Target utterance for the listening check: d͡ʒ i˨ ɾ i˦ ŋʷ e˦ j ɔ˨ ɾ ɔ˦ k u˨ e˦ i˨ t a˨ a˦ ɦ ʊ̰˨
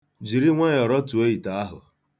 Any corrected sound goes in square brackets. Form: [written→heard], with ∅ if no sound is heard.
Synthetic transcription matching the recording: d͡ʒ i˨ ɾ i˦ ŋʷ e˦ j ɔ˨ ɾ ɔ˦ [k→t] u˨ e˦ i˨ t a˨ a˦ ɦ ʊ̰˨